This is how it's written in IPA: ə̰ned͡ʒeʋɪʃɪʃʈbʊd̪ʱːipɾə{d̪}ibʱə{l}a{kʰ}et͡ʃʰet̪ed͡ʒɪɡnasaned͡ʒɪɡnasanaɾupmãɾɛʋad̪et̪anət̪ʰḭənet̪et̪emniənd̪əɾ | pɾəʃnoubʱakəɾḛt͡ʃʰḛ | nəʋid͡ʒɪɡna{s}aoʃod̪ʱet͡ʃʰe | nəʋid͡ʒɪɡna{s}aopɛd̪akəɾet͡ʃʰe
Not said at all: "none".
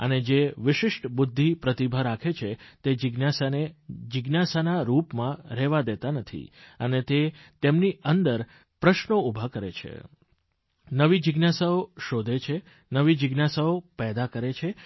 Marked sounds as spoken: t̪, ɾ, kʰ, s, s

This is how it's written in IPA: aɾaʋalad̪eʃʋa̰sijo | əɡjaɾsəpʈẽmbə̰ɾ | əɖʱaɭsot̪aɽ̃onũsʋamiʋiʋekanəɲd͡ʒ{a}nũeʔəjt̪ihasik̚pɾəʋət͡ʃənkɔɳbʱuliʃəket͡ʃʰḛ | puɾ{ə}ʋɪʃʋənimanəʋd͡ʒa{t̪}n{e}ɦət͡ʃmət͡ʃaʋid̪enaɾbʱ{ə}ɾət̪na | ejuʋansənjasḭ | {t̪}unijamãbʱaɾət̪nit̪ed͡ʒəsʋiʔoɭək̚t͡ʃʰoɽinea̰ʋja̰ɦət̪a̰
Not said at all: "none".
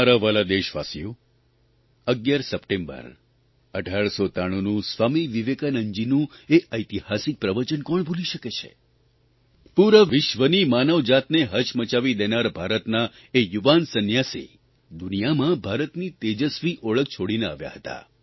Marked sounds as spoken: i, ə, t̪, e, a, d̪

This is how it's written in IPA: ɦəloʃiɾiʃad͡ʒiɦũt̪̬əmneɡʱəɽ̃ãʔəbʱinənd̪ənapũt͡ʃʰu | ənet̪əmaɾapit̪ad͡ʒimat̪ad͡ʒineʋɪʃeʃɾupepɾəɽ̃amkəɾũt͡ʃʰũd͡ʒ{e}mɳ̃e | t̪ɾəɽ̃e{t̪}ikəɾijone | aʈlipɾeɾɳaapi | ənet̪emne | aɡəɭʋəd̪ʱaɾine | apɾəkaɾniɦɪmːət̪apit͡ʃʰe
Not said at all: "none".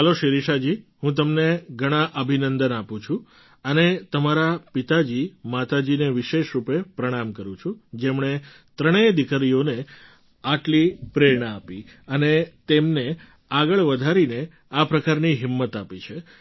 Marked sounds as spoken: e, d̪

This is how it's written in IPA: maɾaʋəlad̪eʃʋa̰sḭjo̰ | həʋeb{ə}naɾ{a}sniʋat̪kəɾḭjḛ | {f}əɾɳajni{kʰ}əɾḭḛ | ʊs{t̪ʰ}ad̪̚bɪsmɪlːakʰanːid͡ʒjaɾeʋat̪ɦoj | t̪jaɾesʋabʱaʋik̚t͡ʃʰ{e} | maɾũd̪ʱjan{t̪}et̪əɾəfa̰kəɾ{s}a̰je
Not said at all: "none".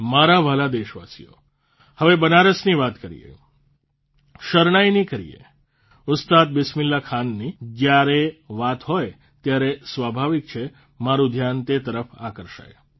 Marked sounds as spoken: ə, ə, ʃ, k, t̪, e, t̪, ʃ

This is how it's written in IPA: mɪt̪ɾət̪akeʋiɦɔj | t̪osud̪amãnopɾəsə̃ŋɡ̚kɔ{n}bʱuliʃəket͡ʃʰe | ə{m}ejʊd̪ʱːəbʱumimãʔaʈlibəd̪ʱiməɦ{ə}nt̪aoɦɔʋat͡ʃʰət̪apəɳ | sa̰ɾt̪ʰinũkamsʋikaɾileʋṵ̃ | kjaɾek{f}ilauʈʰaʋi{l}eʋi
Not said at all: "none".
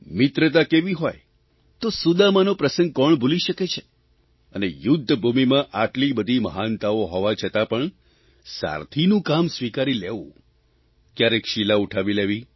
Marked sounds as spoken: ɳ, n, a, ʃ, l

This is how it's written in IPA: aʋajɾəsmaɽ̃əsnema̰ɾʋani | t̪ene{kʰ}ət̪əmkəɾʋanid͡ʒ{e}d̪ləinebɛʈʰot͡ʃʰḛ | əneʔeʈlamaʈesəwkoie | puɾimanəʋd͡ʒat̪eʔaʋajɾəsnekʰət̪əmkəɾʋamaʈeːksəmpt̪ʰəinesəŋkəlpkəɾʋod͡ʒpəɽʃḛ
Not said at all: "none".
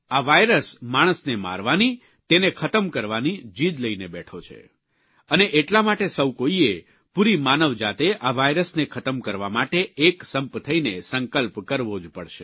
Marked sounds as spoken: kʰ, i

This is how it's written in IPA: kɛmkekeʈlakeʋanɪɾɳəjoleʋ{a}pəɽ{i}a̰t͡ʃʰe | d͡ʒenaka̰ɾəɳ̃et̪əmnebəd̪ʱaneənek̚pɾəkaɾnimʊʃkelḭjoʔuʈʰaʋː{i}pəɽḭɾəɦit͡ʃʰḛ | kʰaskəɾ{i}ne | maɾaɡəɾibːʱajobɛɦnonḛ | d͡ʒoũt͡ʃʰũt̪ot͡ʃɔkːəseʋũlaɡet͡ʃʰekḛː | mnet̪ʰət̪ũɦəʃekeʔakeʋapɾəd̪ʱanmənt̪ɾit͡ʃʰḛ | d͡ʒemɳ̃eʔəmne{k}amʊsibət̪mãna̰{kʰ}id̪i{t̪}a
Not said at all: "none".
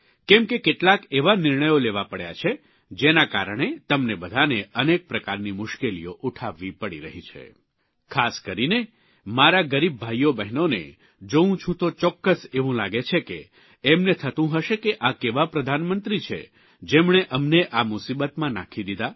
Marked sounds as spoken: a, j, i, i, ʔ, kʰ, d̪

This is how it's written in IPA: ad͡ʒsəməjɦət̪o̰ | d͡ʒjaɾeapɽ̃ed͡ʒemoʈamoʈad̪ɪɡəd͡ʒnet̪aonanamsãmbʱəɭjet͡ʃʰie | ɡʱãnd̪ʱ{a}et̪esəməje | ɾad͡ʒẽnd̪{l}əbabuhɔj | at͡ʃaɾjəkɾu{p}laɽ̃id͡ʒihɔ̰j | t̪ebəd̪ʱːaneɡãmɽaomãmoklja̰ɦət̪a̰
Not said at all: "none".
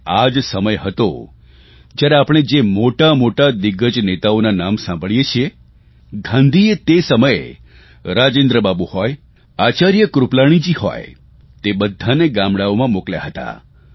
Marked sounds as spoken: i, ɾ, p

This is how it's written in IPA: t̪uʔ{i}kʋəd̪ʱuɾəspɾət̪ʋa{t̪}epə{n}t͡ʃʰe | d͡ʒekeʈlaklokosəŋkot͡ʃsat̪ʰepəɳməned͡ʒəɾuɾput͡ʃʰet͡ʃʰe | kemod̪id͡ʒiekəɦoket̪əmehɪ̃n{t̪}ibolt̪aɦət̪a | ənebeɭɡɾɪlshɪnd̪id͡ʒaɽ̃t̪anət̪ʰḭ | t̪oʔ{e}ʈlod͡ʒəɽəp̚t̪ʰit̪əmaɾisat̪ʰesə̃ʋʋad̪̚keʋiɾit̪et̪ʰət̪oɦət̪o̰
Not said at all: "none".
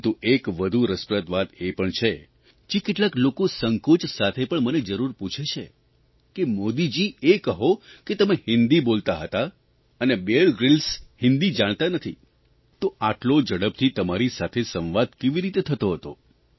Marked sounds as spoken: e, t̪, ɳ, d̪, a

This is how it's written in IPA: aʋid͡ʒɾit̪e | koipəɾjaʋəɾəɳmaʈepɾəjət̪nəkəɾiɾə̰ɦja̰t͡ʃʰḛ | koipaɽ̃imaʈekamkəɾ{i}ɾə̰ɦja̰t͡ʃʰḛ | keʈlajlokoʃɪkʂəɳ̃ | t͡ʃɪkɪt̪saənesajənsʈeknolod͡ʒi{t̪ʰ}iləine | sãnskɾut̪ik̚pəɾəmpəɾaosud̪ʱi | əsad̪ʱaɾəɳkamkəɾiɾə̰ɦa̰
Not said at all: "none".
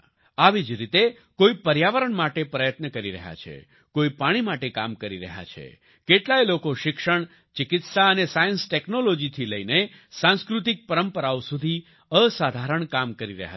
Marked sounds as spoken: i, t̪ʰ

